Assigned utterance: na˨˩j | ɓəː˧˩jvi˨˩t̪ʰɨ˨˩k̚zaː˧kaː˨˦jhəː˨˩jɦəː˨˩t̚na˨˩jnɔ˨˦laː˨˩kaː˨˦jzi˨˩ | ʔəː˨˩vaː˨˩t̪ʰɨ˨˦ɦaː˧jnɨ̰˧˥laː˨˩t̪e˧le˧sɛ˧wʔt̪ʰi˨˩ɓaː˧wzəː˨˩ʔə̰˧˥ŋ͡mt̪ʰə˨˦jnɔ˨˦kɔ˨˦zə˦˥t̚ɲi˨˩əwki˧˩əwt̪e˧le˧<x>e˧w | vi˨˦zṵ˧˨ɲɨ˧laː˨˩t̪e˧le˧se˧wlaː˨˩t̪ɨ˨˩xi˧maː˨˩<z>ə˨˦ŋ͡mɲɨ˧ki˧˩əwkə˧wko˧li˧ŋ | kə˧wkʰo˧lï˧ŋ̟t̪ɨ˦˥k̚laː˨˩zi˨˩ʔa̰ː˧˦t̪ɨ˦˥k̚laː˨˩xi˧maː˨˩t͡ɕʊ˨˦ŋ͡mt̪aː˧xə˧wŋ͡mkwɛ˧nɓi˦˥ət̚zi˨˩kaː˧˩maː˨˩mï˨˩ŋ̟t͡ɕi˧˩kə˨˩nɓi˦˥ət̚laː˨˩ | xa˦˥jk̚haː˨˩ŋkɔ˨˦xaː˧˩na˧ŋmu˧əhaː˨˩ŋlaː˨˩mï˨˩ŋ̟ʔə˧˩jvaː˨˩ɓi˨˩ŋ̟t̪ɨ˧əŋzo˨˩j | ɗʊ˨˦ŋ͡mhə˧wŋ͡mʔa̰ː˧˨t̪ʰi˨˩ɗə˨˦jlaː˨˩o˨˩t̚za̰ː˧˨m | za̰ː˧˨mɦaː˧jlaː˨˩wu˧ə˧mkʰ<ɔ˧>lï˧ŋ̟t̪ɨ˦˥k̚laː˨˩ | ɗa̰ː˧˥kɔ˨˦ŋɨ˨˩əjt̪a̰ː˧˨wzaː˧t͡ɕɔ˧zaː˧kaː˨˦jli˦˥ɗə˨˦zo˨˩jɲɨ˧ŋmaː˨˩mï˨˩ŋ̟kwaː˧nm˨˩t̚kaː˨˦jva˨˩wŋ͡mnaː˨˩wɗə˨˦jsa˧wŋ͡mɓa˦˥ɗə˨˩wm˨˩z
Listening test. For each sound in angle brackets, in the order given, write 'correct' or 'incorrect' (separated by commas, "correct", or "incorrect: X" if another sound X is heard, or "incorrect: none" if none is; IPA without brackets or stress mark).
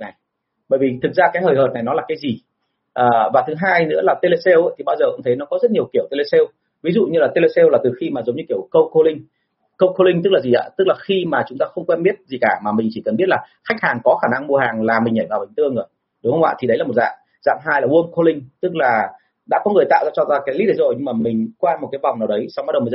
incorrect: s, correct, incorrect: o˧